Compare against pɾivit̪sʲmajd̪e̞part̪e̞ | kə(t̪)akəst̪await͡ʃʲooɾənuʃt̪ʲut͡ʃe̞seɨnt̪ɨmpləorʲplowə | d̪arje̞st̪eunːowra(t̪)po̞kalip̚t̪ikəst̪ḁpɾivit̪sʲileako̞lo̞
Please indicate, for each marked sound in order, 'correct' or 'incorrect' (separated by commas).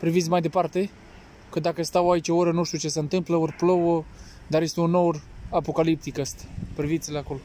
incorrect, incorrect